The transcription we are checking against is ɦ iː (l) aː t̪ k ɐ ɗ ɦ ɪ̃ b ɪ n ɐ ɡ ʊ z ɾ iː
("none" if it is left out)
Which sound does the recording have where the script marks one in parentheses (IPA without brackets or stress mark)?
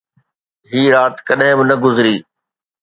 ɾ